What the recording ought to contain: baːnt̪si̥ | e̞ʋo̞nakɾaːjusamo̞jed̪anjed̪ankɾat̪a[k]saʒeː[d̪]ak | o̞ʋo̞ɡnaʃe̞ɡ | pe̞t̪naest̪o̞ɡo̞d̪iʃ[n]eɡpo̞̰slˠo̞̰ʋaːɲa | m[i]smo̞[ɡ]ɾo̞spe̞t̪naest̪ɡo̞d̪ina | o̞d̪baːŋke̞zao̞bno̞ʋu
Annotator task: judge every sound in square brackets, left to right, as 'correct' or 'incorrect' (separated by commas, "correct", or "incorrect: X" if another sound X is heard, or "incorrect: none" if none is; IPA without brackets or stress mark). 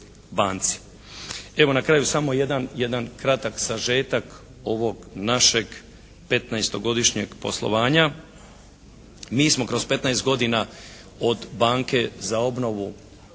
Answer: correct, incorrect: t̪, incorrect: ɲ, incorrect: iː, incorrect: k